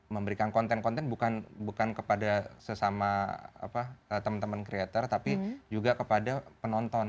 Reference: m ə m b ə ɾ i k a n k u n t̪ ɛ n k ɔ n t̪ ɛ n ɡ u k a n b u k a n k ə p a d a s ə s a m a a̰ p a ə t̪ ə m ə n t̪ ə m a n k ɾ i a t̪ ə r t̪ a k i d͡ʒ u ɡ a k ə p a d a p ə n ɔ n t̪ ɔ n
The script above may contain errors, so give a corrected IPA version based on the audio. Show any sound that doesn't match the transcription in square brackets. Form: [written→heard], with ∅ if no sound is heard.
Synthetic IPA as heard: m ə m b ə ɾ i k a n k [u→ɔ] n t̪ ɛ n k ɔ n t̪ ɛ n [ɡ→b] u k a n b u k a n k ə p a d a s ə s a m a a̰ p a ə t̪ ə m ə n t̪ ə m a n k ɾ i a t̪ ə r t̪ a [k→p] i d͡ʒ u ɡ a k ə p a d a p ə n ɔ n t̪ ɔ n